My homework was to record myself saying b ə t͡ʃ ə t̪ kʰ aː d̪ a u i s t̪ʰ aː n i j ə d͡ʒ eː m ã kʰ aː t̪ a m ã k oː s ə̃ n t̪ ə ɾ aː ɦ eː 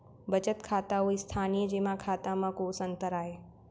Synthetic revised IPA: b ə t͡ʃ ə t̪ kʰ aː t̪ a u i s t̪ʰ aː n i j ə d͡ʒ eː m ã kʰ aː t̪ a m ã k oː s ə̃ n t̪ ə ɾ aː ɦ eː